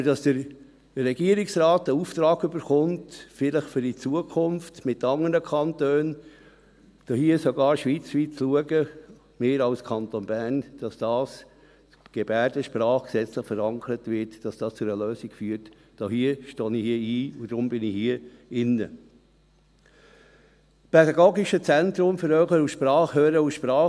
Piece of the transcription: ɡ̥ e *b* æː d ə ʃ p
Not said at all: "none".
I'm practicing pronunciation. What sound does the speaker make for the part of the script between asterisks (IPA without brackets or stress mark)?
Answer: b